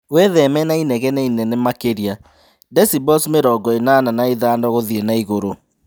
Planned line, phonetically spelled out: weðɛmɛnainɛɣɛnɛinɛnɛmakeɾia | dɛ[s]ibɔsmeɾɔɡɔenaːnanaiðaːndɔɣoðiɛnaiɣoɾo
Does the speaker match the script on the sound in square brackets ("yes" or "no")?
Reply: yes